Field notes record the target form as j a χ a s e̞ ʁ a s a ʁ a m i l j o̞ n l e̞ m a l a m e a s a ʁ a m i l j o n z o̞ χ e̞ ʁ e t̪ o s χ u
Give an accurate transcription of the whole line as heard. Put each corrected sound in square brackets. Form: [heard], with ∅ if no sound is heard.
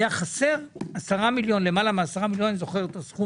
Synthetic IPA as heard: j a χ a s e̞ ʁ a s a ʁ a m i l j o̞ n l e̞ m a l a m e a s a ʁ a m i l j o n z o̞ χ e̞ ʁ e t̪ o s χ u

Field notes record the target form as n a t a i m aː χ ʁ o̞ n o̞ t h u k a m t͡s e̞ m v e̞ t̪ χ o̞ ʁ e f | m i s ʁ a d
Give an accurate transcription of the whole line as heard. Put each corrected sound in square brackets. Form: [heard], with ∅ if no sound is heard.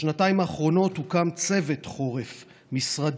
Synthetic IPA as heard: n a t a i m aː χ ʁ o̞ n o̞ t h u k a m t͡s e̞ [∅] v e̞ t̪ χ o̞ ʁ e f | m i s ʁ a d

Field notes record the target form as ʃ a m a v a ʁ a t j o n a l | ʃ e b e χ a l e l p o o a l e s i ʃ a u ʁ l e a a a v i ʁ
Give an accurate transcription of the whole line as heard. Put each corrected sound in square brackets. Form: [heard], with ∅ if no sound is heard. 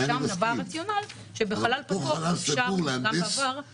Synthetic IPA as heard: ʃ a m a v a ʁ a [t͡s] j o n a l | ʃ e b e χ a l [a] l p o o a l [a] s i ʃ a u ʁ l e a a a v [a] ʁ

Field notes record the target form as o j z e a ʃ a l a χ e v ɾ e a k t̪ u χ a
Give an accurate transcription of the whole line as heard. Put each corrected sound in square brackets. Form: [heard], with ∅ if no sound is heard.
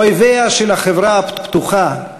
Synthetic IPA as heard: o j [v] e a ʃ [e] l a χ e v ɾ [a] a [p] t̪ u χ a

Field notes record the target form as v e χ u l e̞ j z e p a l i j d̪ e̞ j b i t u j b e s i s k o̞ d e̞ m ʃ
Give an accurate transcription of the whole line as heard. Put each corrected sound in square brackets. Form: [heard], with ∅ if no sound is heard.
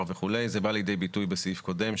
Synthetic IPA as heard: v e χ u l e̞ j z e [b] a l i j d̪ e̞ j b i t u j b e s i [f] k o̞ d e̞ m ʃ

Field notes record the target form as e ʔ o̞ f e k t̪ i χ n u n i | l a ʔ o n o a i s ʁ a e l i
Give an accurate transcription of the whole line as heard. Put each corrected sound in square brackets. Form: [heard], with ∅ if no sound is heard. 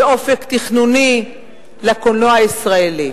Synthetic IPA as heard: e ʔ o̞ f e k t̪ i χ n u n i | l a [k] o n o a i s ʁ a e l i

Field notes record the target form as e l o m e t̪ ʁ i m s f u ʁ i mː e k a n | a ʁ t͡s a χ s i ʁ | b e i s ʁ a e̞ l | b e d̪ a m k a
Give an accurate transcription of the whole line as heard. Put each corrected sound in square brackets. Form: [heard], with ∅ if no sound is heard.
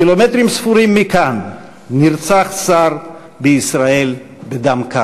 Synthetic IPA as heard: [i] l o m e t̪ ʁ i m s f u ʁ i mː [i] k a [nː] | [i] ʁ t͡s a χ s [a] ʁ | b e i s ʁ a e̞ l | b e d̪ a m k a

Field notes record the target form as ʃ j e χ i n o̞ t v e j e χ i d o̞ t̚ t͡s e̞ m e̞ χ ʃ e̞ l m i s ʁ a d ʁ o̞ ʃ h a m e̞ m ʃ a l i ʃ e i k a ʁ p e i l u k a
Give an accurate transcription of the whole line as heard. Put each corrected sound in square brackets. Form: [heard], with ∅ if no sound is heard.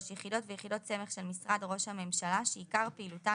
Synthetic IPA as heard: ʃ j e χ i [d] o̞ t v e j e χ i d o̞ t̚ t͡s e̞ m e̞ χ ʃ e̞ l m i s ʁ a d ʁ o̞ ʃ h a m e̞ m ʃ a l [a] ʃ e i k a ʁ p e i l u [t] a

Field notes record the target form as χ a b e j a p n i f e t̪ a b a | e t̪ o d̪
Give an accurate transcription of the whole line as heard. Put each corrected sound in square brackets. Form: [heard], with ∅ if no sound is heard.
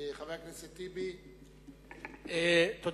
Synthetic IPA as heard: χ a [v] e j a [k] n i [s] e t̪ [i] b [i] | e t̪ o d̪

